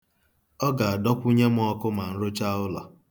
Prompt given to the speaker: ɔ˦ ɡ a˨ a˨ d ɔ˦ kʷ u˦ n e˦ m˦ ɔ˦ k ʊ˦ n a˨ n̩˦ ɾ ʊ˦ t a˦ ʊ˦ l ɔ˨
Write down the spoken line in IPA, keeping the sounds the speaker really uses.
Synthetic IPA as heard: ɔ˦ ɡ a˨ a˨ d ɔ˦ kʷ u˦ ɲ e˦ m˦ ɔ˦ k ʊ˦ m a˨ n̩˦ ɾ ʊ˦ t͡ʃ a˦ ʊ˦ l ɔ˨